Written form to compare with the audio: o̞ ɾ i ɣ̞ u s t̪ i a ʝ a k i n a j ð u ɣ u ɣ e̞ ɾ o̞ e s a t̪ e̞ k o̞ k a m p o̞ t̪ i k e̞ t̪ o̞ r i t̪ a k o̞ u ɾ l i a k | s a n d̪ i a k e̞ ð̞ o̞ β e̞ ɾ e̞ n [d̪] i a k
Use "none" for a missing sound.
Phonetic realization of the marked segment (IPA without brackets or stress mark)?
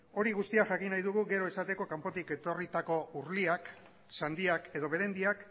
d̪